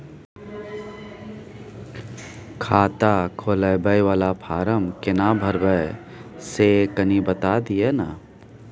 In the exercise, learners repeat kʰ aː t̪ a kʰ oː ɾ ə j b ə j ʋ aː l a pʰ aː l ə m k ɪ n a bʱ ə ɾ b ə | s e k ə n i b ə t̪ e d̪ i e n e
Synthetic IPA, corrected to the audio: kʰ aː t̪ a kʰ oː l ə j b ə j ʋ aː l a pʰ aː ɾ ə m k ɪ n a bʱ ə ɾ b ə | s e k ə n i b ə t̪ a d̪ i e n a